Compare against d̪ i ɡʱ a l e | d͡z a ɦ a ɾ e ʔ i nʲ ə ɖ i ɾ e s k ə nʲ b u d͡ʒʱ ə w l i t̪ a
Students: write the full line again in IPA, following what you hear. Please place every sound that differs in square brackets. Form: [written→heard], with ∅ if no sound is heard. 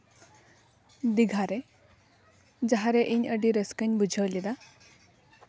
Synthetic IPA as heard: d̪ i ɡʱ a [l→ɾ] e | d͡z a ɦ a ɾ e ʔ i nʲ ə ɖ i ɾ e s k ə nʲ b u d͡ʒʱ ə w l i [t̪→d̪] a